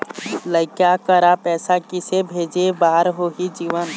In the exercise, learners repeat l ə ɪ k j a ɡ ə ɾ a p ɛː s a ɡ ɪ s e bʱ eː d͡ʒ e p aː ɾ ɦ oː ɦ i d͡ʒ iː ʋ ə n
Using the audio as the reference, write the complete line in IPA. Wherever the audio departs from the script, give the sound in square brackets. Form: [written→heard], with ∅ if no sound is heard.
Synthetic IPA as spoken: l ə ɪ k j a [ɡ→k] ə ɾ a p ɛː s a [ɡ→k] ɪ s e bʱ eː d͡ʒ e [p→b] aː ɾ ɦ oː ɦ i d͡ʒ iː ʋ ə n